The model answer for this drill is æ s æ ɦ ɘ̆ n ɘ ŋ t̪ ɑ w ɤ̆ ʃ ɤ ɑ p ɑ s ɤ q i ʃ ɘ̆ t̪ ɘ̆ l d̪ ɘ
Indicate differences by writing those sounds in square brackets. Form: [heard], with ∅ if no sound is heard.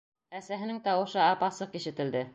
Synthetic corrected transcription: æ s æ ɦ ɘ̆ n ɘ ŋ t̪ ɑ w ɤ̆ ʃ ɤ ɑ p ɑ s ɤ q i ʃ ɘ̆ t̪ ɘ̆ l d̪ ɘ